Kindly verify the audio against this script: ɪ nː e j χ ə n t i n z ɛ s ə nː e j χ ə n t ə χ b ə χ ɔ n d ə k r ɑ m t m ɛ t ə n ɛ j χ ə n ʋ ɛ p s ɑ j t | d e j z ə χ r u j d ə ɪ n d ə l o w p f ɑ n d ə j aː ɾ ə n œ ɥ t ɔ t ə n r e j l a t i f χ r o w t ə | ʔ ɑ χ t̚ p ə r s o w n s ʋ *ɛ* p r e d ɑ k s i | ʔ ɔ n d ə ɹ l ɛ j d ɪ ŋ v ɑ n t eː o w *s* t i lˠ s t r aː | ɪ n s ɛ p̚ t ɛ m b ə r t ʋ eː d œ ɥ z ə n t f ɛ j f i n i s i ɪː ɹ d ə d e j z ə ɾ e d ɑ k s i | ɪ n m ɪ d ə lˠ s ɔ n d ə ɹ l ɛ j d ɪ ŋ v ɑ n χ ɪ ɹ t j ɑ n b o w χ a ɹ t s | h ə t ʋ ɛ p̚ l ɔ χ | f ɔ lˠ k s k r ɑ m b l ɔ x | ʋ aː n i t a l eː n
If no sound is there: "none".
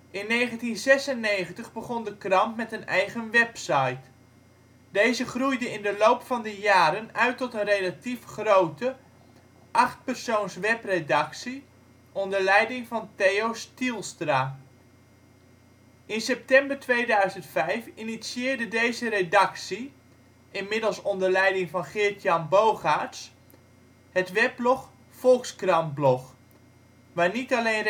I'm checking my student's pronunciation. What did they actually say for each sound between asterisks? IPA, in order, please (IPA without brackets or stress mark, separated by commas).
ɛ, s